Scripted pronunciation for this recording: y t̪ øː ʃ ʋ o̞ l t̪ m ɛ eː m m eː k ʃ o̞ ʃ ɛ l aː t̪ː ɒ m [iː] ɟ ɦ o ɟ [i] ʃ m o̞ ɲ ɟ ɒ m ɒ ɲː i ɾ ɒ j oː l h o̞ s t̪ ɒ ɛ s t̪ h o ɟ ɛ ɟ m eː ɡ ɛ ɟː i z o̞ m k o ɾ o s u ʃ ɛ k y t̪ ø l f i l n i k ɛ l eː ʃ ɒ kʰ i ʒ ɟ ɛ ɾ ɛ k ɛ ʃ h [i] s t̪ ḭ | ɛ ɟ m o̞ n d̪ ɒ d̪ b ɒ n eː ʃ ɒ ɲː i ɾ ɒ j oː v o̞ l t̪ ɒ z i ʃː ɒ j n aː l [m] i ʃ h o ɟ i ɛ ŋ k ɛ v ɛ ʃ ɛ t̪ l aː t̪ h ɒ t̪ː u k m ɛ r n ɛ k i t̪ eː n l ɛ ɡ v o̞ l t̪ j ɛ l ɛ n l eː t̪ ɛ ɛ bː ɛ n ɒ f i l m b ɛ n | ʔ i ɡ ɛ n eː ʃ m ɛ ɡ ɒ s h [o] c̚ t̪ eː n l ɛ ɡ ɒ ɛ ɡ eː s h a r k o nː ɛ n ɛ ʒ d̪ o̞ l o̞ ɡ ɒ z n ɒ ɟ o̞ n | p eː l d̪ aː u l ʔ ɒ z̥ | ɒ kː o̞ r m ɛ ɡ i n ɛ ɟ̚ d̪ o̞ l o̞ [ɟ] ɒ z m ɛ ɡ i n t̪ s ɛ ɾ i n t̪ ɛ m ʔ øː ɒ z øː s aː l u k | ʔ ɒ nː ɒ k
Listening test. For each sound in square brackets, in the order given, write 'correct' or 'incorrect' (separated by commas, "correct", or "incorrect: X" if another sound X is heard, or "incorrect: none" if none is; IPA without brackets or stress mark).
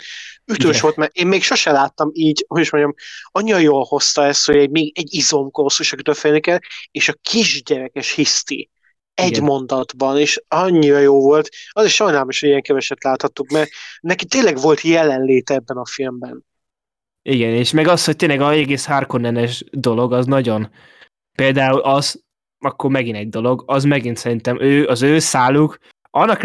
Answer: correct, correct, correct, correct, correct, incorrect: ɡ